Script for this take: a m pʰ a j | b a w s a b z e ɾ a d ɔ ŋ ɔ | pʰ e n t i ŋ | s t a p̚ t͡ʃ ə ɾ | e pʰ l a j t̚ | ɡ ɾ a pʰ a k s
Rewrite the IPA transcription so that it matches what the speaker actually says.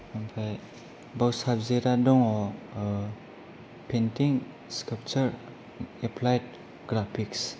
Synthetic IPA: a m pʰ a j | b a w s a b z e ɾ a d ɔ ŋ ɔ | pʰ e n t i ŋ | s k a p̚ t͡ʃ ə ɾ | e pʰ l a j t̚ | ɡ ɾ a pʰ i k s